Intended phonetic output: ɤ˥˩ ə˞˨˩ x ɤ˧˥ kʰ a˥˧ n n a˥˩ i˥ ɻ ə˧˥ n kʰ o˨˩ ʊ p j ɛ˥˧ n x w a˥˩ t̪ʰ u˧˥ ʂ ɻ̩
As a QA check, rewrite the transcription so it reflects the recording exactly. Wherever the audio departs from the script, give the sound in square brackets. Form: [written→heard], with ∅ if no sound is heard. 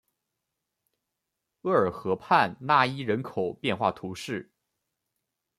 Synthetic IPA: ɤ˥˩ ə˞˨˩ x ɤ˧˥ [kʰ→pʰ] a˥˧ n n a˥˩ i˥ ɻ ə˧˥ n kʰ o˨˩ ʊ p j ɛ˥˧ n x w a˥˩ t̪ʰ u˧˥ ʂ ɻ̩